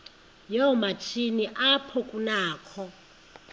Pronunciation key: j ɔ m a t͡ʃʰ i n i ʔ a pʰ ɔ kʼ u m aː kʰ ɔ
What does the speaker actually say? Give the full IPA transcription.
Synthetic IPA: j ɔ m a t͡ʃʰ i n i ʔ a pʰ ɔ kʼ u n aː kʰ ɔ

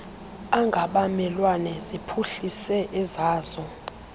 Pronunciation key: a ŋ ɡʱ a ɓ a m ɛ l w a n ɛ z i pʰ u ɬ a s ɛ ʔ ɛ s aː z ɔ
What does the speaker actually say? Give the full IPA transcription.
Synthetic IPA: a ŋ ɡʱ a ɓ a m ɛ l w a n ɛ z i pʰ u ɬ i s ɛ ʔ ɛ z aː z ɔ

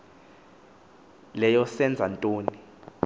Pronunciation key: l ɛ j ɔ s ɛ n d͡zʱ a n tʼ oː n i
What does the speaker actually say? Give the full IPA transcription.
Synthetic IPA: l ɛ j ɔ s ɛ n d͡zʱ a n tʼ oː n i

